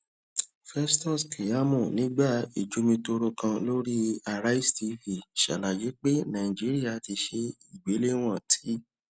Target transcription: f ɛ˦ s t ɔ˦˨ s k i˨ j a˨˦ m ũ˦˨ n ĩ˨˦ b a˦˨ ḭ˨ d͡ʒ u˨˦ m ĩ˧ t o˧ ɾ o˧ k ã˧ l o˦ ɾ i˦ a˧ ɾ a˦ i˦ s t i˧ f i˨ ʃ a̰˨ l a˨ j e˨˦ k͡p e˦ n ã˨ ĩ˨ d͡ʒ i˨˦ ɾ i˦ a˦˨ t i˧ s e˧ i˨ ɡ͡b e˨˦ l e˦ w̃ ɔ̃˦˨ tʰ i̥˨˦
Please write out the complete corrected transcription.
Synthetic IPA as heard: f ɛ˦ s t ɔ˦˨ s k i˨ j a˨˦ m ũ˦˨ n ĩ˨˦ ɡ͡b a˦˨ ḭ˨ d͡ʒ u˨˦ m ĩ˧ t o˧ ɾ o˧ k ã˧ l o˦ ɾ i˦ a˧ ɾ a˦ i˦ s t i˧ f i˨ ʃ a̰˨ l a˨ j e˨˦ k͡p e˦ n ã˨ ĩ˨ d͡ʒ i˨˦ ɾ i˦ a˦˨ t i˧ ʃ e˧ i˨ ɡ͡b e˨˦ l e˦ w̃ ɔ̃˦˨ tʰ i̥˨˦